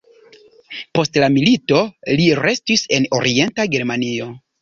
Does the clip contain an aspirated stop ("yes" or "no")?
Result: no